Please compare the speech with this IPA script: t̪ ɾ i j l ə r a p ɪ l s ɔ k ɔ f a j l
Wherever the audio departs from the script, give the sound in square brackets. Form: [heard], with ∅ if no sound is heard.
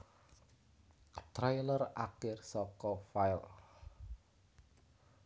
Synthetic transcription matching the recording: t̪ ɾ [a] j l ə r a [k] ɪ [r] s ɔ k ɔ f a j l